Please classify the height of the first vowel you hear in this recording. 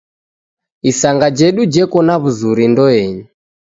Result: high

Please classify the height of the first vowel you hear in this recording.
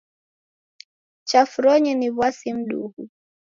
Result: low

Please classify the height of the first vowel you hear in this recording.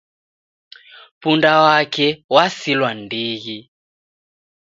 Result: high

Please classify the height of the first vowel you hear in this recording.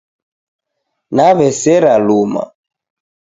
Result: low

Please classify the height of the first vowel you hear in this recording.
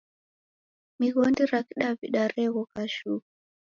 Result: high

